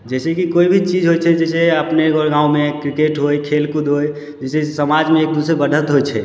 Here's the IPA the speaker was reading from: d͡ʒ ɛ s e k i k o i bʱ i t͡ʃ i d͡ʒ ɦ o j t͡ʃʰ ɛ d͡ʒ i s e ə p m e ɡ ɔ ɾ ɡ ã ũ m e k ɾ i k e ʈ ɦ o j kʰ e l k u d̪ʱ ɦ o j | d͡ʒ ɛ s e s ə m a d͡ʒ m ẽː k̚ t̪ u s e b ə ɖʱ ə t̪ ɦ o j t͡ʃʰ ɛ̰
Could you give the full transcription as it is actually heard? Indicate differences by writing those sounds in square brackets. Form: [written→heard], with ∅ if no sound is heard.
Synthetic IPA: d͡ʒ ɛ s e k i k o i bʱ i t͡ʃ i d͡ʒ ɦ o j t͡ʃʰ ɛ d͡ʒ [i→ɛ] s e ə p [m→n] e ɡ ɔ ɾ ɡ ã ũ m e k ɾ i k e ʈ ɦ o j kʰ e l k u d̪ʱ ɦ o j | d͡ʒ ɛ s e s ə m a d͡ʒ m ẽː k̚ [t̪→d̪] u s e b ə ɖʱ ə t̪ ɦ o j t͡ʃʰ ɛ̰